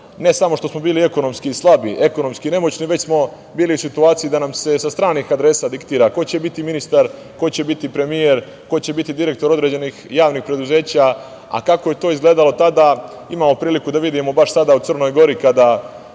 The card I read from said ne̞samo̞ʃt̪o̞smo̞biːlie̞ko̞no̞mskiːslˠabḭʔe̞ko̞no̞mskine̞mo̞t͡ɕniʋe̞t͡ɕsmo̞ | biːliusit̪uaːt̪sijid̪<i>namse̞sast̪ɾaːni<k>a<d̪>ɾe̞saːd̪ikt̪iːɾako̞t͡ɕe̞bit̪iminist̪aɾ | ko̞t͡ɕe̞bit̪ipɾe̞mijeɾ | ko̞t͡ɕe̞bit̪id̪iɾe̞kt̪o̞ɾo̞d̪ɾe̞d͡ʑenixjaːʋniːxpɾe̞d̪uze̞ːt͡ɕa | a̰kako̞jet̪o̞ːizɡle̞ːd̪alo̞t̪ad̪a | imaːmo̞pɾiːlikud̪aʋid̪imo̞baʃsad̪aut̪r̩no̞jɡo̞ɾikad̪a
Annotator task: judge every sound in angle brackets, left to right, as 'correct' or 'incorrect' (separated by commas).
incorrect, incorrect, correct